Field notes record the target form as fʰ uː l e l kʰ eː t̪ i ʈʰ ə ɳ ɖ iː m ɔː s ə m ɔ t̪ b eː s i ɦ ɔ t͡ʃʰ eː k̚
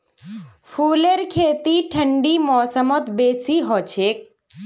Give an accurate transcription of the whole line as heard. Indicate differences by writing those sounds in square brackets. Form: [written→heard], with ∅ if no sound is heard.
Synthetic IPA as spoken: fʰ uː l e [l→ɾ] kʰ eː t̪ i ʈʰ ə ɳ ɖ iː m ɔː s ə m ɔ t̪ b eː s i ɦ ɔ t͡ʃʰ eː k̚